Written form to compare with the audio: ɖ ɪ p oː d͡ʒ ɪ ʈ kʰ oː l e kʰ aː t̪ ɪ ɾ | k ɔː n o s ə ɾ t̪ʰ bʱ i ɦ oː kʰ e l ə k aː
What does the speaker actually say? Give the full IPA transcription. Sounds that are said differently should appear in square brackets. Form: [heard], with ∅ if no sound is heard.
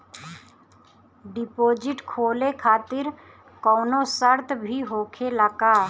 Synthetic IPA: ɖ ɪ p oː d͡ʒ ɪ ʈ kʰ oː l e kʰ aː t̪ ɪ ɾ | k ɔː n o s ə ɾ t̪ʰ bʱ i ɦ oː kʰ e l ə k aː

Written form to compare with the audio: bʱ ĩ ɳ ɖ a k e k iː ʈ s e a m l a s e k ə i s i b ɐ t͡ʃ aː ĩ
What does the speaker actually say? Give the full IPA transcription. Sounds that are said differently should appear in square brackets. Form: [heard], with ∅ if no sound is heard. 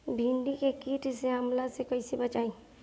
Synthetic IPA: bʱ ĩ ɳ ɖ [i] k e k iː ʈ s e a m l a s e k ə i s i b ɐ t͡ʃ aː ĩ

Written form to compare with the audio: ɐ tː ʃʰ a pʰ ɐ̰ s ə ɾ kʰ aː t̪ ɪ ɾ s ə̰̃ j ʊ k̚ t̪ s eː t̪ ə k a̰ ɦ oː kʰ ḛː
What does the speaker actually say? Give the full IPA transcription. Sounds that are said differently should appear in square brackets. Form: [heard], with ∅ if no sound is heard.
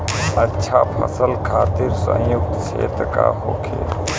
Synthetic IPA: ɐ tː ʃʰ a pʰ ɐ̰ s ə [l] kʰ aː t̪ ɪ ɾ s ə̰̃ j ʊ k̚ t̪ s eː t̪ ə k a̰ ɦ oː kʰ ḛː

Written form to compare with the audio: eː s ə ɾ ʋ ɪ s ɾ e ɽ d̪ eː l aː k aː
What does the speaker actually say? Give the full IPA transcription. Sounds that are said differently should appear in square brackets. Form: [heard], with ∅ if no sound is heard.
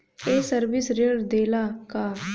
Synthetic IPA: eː s ə ɾ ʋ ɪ s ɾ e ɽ d̪ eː l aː k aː

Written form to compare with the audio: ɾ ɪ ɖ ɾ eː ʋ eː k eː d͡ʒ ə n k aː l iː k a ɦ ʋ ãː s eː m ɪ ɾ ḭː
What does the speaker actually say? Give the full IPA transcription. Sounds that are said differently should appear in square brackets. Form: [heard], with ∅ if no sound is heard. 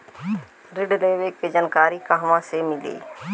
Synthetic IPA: ɾ ɪ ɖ [l] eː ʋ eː k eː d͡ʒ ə n k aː [ɾ] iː k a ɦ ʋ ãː s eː m ɪ [l] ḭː

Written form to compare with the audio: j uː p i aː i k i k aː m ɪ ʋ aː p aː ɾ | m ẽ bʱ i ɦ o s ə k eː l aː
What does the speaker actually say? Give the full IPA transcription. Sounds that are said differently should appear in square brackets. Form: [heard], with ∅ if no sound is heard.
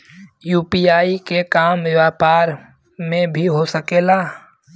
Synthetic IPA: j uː p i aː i k [e] k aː m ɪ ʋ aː p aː ɾ | m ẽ bʱ i ɦ o s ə k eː l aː

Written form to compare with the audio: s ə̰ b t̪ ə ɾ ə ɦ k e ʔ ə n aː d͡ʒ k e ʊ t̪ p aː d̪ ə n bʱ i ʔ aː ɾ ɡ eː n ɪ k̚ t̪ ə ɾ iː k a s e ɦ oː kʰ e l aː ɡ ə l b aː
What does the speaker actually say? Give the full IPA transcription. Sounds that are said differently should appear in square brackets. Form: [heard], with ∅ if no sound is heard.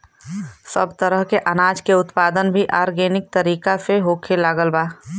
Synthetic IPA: s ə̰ b t̪ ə ɾ ə ɦ k e ʔ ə n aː d͡ʒ k e ʊ t̪ p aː d̪ ə n bʱ i ʔ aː ɾ ɡ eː n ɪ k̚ t̪ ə ɾ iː k a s e ɦ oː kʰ e l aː ɡ ə l b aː

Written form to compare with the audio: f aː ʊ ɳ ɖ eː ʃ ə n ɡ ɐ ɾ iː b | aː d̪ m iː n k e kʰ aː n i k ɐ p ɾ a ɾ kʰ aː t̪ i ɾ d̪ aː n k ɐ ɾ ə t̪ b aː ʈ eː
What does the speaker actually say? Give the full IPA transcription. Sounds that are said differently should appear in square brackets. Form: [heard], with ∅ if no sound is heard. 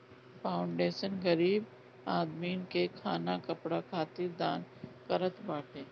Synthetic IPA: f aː ʊ ɳ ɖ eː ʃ ə n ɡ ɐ ɾ iː b | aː d̪ m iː n k e kʰ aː n [a] k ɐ p [ɽ] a [∅] kʰ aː t̪ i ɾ d̪ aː n k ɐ ɾ ə t̪ b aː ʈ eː

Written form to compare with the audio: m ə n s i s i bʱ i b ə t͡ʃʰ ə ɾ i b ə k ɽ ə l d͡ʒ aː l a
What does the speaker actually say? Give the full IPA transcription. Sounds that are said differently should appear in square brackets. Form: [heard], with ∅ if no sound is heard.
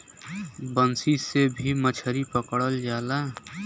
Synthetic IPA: [b] ə n s i s [e] bʱ i [m] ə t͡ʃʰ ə ɾ i [p] ə k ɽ ə l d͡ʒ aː l a

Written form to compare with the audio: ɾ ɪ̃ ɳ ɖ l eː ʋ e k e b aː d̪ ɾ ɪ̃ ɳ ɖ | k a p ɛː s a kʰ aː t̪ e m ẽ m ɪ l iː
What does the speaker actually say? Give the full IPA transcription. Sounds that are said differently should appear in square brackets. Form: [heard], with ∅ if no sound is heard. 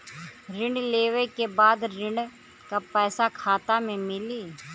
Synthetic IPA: ɾ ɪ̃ ɳ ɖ l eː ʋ e k e b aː d̪ ɾ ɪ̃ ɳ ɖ | k a p ɛː s a kʰ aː t̪ [a] m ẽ m ɪ l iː

